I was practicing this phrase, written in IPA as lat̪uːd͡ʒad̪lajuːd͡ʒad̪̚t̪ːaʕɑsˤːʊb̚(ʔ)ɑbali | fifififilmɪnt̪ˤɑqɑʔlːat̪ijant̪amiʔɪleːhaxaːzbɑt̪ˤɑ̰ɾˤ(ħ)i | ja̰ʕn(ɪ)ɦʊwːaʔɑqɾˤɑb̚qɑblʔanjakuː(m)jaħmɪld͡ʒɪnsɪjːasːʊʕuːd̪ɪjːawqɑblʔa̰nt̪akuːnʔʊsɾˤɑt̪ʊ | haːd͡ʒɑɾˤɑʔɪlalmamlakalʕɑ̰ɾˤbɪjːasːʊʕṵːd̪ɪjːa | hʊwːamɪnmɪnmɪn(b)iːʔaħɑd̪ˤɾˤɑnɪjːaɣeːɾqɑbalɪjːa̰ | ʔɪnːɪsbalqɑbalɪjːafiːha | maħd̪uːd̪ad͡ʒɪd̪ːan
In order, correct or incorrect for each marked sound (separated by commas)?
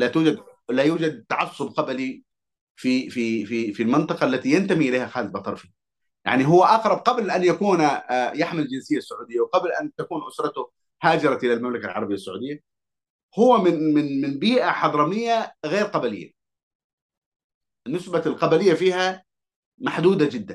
incorrect, incorrect, incorrect, incorrect, correct